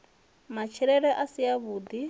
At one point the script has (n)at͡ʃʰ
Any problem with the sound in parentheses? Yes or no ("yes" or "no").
yes